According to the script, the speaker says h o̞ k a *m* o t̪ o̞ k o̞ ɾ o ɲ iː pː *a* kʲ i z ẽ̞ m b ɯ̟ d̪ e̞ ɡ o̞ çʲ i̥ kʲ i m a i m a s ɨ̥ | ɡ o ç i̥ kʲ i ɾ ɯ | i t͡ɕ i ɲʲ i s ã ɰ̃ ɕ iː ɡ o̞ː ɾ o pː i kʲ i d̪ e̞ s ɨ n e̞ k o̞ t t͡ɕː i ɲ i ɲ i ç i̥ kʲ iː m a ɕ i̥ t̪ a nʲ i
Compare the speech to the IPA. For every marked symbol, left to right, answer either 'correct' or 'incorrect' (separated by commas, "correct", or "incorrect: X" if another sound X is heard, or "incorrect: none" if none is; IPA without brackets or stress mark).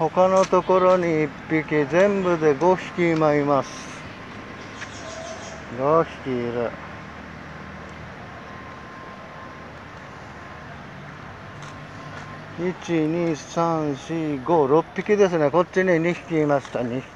incorrect: n, incorrect: i